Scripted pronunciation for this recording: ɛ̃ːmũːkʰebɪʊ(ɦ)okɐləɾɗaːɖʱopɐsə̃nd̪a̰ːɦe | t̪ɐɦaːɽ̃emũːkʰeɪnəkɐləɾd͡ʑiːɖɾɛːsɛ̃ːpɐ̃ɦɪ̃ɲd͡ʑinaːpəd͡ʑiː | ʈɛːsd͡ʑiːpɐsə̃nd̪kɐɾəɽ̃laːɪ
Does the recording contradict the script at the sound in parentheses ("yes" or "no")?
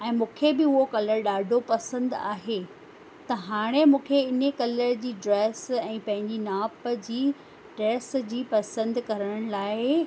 no